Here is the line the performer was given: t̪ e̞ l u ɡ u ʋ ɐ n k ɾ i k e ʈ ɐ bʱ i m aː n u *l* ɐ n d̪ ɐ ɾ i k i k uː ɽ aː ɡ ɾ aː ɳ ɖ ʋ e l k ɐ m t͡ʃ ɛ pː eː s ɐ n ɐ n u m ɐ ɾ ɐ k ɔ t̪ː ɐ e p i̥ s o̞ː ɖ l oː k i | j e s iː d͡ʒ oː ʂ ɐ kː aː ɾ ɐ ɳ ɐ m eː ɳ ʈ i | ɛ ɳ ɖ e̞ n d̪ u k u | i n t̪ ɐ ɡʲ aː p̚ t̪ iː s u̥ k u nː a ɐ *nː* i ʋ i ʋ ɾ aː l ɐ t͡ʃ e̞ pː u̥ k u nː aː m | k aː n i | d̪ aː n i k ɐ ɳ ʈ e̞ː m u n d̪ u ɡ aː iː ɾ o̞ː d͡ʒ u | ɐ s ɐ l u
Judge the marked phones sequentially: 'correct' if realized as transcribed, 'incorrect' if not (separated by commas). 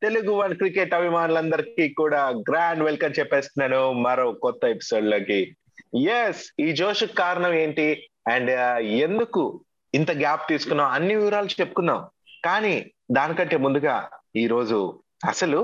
correct, correct